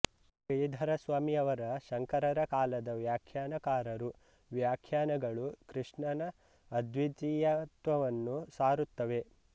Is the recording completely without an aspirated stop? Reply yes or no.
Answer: no